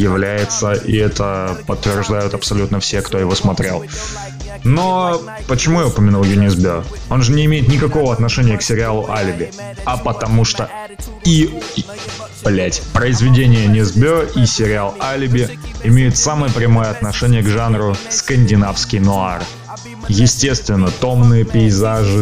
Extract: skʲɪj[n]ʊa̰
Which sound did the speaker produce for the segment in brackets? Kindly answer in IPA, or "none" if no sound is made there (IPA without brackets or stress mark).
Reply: n